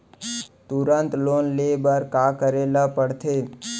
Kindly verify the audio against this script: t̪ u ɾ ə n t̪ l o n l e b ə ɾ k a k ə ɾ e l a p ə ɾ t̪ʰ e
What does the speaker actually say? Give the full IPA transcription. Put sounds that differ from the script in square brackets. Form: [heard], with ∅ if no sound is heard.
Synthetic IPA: t̪ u ɾ ə n t̪ l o n l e b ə ɾ k a k ə ɾ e l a p ə [ɽ] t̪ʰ e